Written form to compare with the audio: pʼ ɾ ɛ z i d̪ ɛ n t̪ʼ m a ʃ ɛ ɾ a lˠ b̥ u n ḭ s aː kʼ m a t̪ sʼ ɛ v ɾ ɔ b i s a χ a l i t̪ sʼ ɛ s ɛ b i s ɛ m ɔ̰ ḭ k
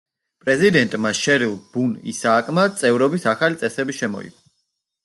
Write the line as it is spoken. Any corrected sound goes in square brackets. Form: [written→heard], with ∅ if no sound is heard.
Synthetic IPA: pʼ ɾ ɛ z i d̪ ɛ n t̪ʼ m a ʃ ɛ ɾ [a→i] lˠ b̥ u n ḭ s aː kʼ m a t̪ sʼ ɛ v ɾ ɔ b i s a χ a l i t̪ sʼ ɛ s ɛ b i [s→ʃ] ɛ m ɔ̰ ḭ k

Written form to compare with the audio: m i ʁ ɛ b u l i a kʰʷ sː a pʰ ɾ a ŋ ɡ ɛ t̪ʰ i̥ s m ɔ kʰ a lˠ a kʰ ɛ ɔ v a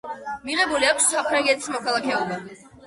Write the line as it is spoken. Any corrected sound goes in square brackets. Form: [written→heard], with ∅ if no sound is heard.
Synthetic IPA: m i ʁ ɛ b u l i a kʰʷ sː a pʰ ɾ a ŋ ɡ ɛ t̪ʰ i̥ s m ɔ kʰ a lˠ a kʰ ɛ ɔ [v→b] a

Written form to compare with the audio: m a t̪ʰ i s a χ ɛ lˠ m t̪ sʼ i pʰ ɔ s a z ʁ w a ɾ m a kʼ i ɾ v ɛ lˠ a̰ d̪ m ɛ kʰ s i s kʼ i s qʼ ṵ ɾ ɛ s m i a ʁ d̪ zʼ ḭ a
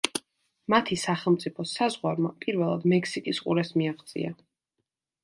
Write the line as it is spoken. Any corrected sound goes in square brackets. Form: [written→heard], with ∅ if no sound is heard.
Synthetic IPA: m a t̪ʰ i s a χ ɛ lˠ m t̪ sʼ i pʰ ɔ s a z ʁ w a ɾ m a [kʼ→pʼ] i ɾ v ɛ lˠ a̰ d̪ m ɛ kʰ s i [s→∅] kʼ i s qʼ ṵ ɾ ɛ s m i a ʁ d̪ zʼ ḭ a

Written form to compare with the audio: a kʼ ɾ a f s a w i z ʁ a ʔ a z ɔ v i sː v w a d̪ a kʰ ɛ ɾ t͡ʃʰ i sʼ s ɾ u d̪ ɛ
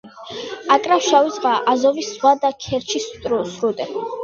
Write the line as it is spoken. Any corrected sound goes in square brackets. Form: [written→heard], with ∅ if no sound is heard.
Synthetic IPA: a kʼ ɾ a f [s→ʃ] a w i z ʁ a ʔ a z ɔ v i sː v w a d̪ a kʰ ɛ ɾ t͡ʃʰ i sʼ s ɾ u d̪ ɛ

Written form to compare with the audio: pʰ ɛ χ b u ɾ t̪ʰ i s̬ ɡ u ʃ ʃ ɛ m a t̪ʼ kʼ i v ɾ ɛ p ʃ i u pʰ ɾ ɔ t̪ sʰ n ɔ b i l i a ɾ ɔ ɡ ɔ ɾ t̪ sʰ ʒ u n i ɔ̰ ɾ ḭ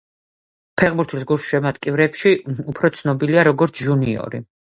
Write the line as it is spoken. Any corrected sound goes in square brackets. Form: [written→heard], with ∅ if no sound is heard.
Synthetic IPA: pʰ ɛ [χ→ʁ] b u ɾ t̪ʰ i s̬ ɡ u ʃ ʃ ɛ m a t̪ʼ kʼ i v ɾ ɛ p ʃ i u pʰ ɾ ɔ t̪ sʰ n ɔ b i l i a ɾ ɔ ɡ ɔ ɾ t̪ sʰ ʒ u n i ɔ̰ ɾ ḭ

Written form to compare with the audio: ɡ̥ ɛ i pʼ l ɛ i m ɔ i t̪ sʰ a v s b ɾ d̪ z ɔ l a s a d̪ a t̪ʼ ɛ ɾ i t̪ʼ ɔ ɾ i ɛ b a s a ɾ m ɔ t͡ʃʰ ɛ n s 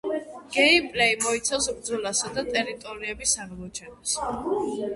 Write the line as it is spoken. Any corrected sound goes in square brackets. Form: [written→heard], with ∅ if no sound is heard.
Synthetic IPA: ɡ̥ ɛ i pʼ l ɛ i m ɔ i t̪ sʰ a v s b ɾ d̪ z ɔ l a s a d̪ a t̪ʼ ɛ ɾ i t̪ʼ ɔ ɾ i ɛ b [a→i] s a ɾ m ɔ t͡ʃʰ ɛ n s

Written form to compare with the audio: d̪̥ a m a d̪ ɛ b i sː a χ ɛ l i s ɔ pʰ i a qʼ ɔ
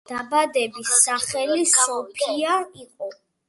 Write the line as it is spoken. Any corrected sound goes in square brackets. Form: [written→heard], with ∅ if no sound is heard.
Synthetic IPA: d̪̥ a [m→b] a d̪ ɛ b i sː a χ ɛ l i s ɔ pʰ i a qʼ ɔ

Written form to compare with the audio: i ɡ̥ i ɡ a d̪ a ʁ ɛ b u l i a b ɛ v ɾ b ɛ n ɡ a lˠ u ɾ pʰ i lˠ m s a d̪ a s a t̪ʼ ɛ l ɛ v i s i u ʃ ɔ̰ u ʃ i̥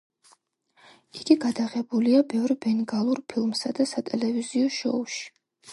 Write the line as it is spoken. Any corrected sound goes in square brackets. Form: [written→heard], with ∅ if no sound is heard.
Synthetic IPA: i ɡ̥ i ɡ a d̪ a ʁ ɛ b u l i a b ɛ v ɾ b ɛ n ɡ a lˠ u ɾ pʰ i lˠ m s a d̪ a s a t̪ʼ ɛ l ɛ v i [s→z] i [u→ɔ] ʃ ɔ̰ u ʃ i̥

